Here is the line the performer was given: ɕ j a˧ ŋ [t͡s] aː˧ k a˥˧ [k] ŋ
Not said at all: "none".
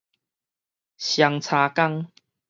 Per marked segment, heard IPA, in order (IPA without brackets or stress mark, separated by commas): t͡sʰ, none